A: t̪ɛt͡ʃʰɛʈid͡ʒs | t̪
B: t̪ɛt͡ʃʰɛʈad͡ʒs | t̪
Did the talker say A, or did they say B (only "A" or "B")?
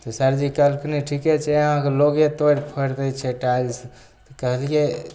B